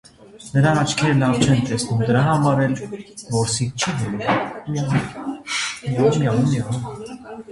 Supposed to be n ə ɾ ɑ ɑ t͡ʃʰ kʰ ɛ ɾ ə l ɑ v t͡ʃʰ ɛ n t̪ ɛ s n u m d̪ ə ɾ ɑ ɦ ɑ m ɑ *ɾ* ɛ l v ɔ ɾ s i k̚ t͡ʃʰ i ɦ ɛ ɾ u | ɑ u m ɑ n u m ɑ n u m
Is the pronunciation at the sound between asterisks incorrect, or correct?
correct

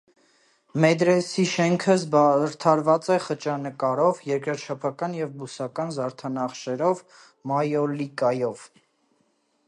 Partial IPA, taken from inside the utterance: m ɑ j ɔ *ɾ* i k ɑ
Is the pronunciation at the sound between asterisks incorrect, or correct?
incorrect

